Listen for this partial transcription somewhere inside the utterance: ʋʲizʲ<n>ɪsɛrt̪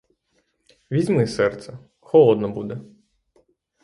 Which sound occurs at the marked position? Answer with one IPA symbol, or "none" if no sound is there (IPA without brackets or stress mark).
m